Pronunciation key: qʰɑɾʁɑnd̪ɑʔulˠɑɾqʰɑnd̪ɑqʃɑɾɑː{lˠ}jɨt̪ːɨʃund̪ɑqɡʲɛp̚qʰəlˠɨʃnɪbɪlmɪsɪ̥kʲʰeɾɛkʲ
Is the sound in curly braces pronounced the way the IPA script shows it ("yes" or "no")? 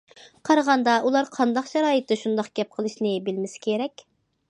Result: no